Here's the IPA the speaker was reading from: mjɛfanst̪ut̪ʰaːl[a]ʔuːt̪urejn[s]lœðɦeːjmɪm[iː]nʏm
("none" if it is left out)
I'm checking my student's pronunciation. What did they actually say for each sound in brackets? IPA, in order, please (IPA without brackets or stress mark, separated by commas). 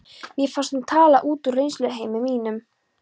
a, s, iː